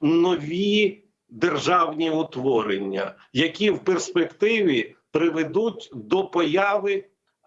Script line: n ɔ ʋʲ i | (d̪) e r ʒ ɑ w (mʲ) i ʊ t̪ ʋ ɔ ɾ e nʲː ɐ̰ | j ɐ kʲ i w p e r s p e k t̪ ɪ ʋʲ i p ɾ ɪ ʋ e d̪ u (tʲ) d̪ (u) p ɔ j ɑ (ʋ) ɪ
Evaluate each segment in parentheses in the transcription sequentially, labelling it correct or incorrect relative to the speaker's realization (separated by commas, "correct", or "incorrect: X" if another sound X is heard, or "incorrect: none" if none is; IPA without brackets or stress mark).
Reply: correct, incorrect: nʲ, correct, incorrect: ɔ, correct